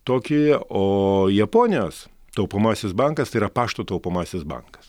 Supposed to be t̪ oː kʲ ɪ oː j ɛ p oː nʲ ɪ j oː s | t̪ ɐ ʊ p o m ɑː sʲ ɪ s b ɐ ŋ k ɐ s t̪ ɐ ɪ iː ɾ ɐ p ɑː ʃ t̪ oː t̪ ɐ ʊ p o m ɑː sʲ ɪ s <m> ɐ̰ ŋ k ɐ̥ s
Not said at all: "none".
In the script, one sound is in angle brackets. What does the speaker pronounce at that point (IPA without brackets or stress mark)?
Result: b